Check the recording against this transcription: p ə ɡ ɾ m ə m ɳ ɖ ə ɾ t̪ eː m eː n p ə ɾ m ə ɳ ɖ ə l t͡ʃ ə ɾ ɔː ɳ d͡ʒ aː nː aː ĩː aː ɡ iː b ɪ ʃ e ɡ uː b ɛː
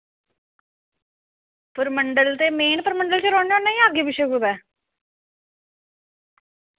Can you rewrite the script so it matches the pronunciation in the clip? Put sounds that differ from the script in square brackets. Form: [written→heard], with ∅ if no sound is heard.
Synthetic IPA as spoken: p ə [ɡ→∅] ɾ m ə [m→∅] ɳ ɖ ə [ɾ→l] t̪ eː m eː n p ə ɾ m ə ɳ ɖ ə l t͡ʃ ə ɾ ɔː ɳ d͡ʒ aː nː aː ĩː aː ɡ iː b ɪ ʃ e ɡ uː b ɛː